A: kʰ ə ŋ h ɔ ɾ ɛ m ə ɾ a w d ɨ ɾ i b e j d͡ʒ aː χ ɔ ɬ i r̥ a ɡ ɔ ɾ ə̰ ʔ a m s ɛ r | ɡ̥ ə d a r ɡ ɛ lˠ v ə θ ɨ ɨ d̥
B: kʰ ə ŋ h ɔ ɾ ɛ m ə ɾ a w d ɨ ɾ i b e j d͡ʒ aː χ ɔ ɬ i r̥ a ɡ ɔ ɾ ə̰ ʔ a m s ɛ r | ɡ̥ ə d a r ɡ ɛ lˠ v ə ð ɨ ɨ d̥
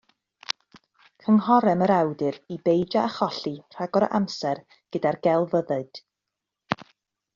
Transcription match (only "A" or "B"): B